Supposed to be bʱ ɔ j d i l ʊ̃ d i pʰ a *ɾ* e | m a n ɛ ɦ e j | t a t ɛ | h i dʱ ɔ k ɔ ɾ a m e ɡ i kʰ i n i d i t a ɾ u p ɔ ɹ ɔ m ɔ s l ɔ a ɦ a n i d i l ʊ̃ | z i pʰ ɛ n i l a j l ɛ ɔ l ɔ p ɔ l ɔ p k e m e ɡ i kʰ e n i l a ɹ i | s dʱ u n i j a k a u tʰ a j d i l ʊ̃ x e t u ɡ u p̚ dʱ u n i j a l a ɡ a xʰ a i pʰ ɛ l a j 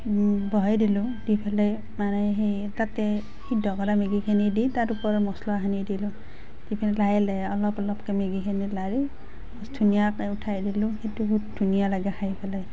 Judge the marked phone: incorrect: l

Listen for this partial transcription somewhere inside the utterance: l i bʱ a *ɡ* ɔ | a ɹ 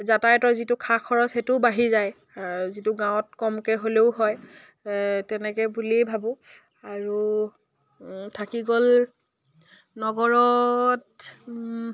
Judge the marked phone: incorrect: b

